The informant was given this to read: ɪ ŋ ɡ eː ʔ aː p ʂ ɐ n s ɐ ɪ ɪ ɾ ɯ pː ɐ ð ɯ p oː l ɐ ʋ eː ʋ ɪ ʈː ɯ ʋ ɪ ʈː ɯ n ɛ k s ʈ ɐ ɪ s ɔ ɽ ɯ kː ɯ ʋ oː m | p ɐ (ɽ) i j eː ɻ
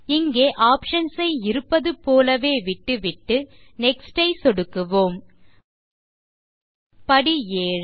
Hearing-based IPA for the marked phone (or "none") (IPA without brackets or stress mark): ɽ